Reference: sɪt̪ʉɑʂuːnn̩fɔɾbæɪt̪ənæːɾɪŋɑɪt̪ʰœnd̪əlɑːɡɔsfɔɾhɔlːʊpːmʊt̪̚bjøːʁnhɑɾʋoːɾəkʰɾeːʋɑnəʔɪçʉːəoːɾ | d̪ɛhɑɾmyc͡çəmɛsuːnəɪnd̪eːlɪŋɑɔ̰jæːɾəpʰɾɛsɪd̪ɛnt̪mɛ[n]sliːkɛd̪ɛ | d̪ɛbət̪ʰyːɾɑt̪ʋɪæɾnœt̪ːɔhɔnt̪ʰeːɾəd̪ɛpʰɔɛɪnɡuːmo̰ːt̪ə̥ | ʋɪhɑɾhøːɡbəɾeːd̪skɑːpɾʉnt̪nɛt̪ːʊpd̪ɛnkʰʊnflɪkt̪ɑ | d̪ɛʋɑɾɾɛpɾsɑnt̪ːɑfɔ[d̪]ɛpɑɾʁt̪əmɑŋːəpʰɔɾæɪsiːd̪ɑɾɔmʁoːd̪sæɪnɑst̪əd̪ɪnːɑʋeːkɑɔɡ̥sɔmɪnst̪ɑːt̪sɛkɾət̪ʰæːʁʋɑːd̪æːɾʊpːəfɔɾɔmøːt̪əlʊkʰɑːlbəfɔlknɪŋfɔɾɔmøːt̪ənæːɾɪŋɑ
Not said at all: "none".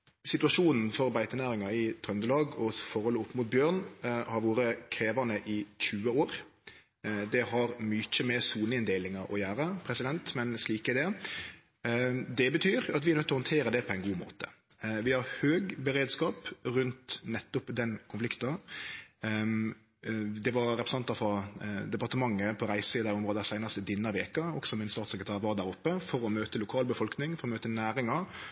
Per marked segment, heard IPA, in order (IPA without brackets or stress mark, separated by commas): n, d̪